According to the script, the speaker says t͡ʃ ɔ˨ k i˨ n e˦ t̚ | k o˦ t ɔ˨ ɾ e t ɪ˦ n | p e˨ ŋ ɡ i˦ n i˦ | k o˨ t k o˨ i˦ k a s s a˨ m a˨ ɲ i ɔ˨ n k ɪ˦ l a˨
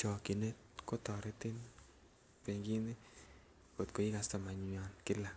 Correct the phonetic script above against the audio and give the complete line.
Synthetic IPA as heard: t͡ʃ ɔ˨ k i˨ n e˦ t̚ | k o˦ t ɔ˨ ɾ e t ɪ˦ n | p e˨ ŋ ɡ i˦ n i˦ | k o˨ t k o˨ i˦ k a s t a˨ m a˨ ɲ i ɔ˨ n k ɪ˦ l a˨